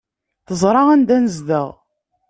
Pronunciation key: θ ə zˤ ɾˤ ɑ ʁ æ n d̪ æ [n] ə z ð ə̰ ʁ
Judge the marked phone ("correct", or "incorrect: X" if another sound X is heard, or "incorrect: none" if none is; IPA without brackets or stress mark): correct